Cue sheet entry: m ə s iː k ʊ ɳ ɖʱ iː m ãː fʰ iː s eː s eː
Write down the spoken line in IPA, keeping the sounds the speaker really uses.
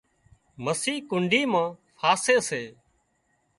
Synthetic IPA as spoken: m ə s iː k ʊ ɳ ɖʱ iː m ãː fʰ aː s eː s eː